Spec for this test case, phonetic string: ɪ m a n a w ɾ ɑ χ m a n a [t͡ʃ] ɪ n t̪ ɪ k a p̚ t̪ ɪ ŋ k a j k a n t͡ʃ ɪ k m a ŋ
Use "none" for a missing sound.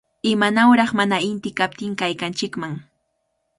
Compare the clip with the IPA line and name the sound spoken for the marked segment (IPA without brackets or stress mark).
none